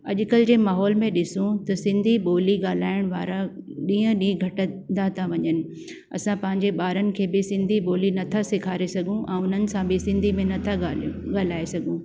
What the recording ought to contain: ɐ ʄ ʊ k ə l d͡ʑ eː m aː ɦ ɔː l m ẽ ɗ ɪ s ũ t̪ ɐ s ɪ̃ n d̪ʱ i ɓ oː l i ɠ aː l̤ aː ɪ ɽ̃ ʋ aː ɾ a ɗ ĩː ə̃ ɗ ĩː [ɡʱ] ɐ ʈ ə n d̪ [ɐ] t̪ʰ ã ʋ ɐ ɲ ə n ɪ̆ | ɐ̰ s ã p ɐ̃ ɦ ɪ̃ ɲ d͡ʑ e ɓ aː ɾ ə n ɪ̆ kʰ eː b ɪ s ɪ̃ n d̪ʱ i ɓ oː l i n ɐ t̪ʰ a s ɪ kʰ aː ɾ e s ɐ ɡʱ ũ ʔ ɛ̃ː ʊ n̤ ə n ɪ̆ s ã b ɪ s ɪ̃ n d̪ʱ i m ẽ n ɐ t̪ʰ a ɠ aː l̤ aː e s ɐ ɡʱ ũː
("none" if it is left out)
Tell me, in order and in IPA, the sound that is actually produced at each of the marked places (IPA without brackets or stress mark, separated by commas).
ɡʱ, a